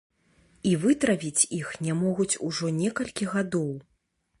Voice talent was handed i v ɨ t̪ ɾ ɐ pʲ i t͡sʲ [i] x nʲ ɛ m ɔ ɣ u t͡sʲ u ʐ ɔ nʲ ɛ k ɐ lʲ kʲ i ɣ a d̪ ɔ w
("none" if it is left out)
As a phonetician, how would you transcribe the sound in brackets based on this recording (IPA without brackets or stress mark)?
i